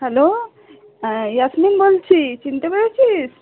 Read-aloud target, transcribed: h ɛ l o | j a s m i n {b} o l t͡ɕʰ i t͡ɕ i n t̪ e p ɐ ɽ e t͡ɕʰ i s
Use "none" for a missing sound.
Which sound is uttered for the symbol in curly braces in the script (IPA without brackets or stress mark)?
b